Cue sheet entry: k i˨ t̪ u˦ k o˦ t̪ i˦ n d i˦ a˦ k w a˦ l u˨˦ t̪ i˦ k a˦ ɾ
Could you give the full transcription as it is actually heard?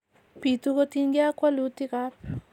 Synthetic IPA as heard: p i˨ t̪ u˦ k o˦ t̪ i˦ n ɡ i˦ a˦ k w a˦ l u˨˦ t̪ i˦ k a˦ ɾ